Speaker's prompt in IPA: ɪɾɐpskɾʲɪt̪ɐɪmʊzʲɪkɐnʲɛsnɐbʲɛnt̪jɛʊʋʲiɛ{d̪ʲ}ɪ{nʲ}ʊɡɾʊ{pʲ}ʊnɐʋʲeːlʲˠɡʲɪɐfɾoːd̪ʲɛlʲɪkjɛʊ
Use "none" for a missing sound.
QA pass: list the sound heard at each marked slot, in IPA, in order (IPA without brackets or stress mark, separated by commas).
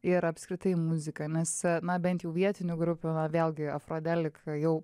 t̪ʲ, nʲ, pʲ